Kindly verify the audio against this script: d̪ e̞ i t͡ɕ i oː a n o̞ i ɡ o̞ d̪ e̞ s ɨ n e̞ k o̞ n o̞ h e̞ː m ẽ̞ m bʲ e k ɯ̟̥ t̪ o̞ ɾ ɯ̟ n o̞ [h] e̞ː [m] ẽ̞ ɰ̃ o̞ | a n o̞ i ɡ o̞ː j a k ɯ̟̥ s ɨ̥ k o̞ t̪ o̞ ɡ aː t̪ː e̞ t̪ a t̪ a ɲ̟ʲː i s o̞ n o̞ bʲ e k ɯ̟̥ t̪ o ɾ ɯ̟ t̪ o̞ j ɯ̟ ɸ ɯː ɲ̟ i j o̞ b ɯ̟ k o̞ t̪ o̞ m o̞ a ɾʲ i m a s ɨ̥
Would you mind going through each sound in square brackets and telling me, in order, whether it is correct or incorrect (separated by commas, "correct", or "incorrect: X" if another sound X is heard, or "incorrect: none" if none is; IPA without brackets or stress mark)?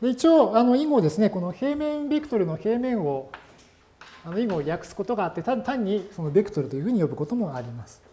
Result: correct, correct